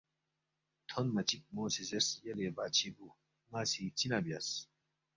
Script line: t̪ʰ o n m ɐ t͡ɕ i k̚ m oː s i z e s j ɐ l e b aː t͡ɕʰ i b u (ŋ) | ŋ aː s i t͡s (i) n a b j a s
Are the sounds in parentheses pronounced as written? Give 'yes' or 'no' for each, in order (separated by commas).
no, yes